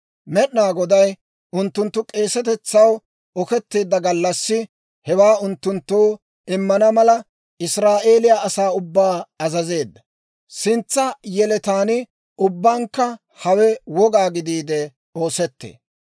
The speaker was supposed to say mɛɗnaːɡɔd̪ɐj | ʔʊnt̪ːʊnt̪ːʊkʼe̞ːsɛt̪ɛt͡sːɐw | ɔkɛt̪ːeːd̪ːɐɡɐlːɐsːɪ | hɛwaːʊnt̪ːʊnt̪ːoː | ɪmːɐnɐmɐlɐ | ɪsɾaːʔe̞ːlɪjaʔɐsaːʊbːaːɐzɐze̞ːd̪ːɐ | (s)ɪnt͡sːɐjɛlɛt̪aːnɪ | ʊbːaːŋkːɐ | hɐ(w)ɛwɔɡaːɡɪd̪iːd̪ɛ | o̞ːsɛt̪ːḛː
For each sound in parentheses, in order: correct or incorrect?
correct, correct

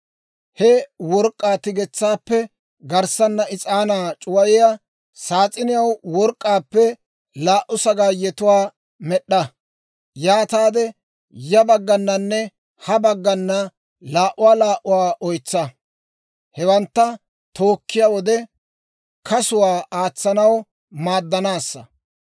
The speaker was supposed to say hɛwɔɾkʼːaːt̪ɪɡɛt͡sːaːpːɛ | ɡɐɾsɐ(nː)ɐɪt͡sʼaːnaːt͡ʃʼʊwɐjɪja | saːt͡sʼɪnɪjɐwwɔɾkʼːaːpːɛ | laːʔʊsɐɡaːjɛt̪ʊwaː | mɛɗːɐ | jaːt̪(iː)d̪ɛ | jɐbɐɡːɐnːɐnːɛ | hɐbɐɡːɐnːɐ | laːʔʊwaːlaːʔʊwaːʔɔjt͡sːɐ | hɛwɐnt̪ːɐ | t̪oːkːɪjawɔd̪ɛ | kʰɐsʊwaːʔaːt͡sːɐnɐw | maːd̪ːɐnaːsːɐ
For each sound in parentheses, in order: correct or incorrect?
correct, incorrect: aː

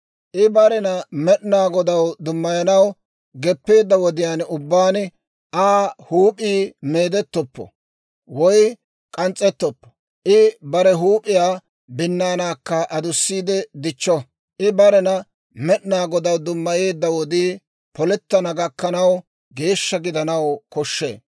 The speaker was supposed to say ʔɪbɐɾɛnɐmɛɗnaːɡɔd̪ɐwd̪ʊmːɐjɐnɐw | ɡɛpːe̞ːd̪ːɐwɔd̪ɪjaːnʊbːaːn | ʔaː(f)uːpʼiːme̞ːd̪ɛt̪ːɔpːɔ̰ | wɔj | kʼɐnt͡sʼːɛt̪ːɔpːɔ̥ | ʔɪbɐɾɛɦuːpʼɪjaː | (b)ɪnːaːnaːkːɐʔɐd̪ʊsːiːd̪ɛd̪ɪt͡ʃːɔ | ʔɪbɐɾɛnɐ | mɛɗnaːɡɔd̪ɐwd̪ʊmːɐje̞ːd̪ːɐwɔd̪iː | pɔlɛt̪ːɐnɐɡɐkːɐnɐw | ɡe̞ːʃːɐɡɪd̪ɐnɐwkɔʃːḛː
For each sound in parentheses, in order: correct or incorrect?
incorrect: h, correct

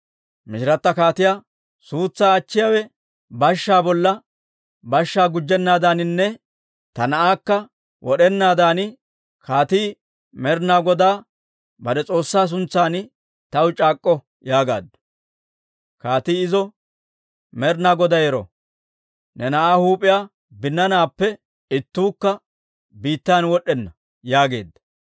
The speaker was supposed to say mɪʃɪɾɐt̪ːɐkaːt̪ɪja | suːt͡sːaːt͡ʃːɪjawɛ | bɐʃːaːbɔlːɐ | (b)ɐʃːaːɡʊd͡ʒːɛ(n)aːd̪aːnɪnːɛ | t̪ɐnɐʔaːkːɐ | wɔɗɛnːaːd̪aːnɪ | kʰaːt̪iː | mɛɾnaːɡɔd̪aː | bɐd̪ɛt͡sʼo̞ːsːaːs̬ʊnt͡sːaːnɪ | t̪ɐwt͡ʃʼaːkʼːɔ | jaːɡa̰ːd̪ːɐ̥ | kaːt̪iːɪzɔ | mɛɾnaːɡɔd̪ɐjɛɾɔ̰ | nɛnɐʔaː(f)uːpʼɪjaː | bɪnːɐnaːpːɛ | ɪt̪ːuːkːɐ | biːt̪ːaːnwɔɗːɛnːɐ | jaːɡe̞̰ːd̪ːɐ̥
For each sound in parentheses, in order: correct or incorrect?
correct, incorrect: nː, incorrect: h

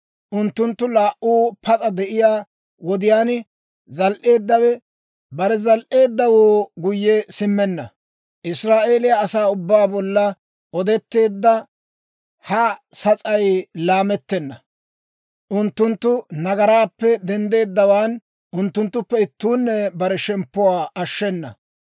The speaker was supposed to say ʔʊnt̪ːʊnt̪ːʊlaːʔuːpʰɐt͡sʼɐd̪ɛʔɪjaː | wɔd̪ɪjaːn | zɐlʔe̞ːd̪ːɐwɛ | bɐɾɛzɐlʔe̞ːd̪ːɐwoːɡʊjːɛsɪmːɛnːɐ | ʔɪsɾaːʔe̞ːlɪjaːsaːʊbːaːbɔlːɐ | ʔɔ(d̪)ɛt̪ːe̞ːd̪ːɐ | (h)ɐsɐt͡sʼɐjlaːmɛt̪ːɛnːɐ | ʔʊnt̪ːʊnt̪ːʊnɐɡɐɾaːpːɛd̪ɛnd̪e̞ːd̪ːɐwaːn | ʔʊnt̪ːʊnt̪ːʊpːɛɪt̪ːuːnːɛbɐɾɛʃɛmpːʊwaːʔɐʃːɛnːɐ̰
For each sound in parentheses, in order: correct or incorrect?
correct, correct

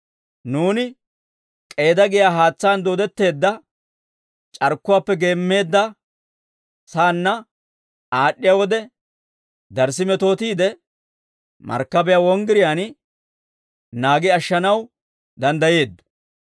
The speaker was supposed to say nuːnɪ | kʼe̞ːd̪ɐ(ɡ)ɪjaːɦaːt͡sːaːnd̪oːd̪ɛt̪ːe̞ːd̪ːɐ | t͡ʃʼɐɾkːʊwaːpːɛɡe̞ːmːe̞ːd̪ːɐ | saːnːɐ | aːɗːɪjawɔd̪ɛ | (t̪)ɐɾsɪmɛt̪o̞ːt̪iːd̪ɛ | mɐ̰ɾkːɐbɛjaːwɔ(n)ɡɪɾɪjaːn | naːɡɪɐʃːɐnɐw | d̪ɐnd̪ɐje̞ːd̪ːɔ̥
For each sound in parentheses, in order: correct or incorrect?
correct, incorrect: d̪, incorrect: ŋ

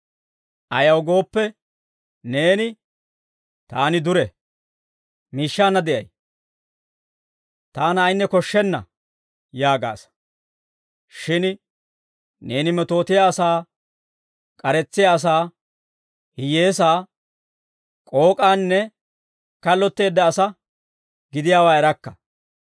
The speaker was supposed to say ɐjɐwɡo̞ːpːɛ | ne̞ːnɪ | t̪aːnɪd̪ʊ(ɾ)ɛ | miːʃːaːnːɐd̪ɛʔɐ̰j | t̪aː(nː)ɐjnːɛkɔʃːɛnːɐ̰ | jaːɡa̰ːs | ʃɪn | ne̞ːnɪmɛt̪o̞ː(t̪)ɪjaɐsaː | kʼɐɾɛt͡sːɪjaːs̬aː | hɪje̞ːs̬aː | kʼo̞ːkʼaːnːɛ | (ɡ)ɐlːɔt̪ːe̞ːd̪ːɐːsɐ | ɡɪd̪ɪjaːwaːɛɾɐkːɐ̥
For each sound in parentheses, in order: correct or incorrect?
correct, incorrect: n, correct, incorrect: k

